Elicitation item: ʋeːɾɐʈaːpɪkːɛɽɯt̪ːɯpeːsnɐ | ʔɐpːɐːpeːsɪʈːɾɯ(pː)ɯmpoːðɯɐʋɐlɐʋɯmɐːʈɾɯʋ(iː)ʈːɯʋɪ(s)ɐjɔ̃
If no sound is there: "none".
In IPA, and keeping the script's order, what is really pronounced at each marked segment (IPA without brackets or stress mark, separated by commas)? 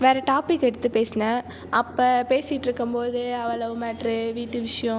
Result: kː, iː, ʂ